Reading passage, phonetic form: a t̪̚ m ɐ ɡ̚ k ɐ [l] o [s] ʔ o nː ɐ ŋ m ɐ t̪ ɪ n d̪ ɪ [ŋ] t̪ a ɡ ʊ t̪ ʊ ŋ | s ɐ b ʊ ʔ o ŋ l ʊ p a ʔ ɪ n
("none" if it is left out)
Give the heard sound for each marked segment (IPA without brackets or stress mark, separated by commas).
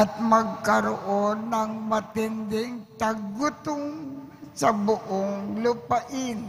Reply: ɾ, none, ŋ